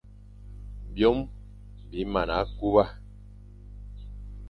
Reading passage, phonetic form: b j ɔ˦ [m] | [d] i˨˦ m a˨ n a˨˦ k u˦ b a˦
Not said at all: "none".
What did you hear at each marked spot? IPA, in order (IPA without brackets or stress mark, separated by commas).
m, b